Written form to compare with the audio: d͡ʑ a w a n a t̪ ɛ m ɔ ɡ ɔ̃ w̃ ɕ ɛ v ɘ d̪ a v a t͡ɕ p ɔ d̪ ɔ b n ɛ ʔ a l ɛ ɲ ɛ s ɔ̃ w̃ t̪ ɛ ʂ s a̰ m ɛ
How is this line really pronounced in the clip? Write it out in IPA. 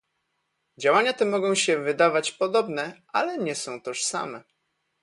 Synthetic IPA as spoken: d͡ʑ a w a ɲ a t̪ ɛ m ɔ ɡ ɔ̃ w̃ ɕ ɛ v ɘ d̪ a v a t͡ɕ p ɔ d̪ ɔ b n ɛ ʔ a l ɛ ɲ ɛ s ɔ̃ w̃ t̪ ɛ ʂ s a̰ m ɛ